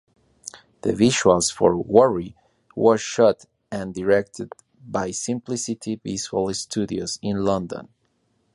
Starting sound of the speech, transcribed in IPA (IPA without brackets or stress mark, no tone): ð